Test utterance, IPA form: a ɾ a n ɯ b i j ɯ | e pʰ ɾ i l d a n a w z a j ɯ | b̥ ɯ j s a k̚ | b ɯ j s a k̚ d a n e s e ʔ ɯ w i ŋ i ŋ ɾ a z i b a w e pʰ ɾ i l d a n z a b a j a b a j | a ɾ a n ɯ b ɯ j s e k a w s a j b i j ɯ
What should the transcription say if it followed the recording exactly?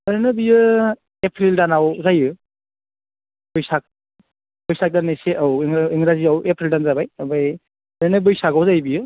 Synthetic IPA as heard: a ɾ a n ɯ b i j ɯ | e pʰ ɾ i l d a n a w z a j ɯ | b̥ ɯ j s a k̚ | b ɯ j s a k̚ d a n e s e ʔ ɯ w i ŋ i ŋ ɾ a z i a w e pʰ ɾ i l d a n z a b a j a b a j | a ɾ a n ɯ b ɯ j s a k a w z a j b i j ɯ